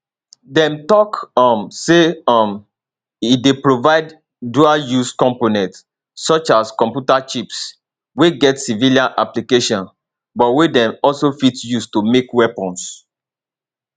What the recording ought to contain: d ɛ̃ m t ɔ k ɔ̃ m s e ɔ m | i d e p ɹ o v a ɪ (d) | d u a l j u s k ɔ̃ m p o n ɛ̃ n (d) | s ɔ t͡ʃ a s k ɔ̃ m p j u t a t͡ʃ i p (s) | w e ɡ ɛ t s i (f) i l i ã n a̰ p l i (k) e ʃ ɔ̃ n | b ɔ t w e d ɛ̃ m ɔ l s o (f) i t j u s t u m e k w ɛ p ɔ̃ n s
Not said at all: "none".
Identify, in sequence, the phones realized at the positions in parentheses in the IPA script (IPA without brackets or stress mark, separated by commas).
d, t, s, v, k, f